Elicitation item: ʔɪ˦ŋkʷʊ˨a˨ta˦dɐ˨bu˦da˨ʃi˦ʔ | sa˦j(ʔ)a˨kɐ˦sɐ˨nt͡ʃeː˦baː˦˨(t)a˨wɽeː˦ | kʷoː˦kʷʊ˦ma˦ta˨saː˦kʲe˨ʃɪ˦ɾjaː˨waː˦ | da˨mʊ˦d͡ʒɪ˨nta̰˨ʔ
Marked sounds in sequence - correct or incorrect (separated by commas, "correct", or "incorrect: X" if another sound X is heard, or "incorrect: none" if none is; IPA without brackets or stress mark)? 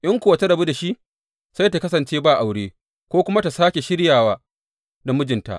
incorrect: t, incorrect: ʔ